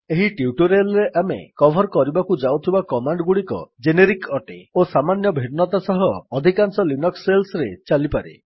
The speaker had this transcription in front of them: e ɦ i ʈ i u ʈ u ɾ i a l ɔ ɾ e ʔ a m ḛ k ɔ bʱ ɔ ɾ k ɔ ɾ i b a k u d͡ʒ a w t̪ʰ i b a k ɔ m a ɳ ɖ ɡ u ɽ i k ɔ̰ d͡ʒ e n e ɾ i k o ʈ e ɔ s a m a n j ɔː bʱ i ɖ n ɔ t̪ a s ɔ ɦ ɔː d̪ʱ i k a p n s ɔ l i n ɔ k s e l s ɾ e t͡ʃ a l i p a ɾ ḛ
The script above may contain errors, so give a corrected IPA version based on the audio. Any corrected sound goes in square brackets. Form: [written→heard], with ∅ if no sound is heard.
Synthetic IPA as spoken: e ɦ i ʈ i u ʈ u ɾ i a l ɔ ɾ e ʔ a m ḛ k ɔ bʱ ɔ ɾ k ɔ ɾ i b a k u d͡ʒ a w t̪ʰ i b a k ɔ m a ɳ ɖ ɡ u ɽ i k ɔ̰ d͡ʒ e n e ɾ i k [o→ɔ] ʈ e [ɔ→o] s a m a n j [ɔː→ɔ] bʱ i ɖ n ɔ t̪ a s ɔ ɦ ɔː d̪ʱ i k a [p→∅] n s ɔ l i n ɔ k s e l s ɾ e t͡ʃ a l i p a ɾ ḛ